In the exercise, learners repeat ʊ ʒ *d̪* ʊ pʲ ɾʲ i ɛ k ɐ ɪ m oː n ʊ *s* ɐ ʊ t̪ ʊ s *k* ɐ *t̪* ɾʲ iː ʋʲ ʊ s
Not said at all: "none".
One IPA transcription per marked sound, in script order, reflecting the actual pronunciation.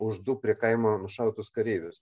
d̪, ʃ, k, none

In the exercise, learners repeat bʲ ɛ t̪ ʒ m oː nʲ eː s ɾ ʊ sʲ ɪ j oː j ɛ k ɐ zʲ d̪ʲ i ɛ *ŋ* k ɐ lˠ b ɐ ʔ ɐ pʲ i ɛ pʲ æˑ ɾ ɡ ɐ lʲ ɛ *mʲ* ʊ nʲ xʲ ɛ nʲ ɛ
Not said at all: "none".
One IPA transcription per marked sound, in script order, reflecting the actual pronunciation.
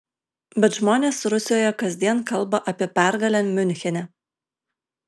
n, mʲ

